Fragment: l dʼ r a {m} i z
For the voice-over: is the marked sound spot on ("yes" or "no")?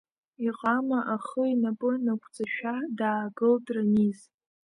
no